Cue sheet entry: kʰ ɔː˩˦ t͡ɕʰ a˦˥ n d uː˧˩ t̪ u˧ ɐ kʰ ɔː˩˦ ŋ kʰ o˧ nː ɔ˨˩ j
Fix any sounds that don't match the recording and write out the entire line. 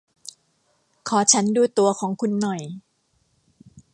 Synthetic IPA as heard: kʰ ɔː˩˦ t͡ɕʰ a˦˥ n d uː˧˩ t̪ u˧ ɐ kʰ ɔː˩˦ ŋ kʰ u˧ nː ɔ˨˩ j